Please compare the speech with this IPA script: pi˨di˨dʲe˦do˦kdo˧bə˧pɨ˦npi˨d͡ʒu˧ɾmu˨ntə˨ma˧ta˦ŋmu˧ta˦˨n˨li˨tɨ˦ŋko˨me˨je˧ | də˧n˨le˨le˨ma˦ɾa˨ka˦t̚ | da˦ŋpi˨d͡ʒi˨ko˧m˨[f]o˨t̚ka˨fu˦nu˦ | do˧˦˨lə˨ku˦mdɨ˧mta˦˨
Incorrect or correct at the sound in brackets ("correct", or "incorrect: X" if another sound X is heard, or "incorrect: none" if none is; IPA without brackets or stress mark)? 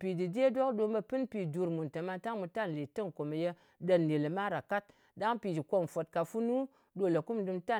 correct